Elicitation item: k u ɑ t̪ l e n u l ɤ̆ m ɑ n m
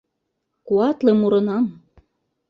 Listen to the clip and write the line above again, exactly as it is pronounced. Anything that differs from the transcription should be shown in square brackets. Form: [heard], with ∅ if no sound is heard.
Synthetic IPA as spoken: k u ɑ t̪ l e [m] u [ɾ] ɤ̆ [n] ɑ [∅] m